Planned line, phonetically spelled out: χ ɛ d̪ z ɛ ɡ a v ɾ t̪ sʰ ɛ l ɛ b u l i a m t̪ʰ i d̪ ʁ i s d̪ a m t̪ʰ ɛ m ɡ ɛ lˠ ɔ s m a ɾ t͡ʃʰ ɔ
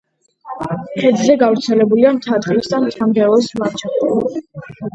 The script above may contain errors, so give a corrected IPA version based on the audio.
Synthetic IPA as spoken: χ ɛ d̪ z ɛ ɡ a v ɾ t̪ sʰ ɛ l ɛ b u l i a m t̪ʰ a d̪ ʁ i s d̪ a m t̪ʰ a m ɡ ɛ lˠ ɔ s m a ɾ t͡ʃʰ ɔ